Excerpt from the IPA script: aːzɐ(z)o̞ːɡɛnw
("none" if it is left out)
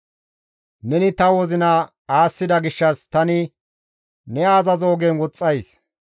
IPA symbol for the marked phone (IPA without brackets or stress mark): z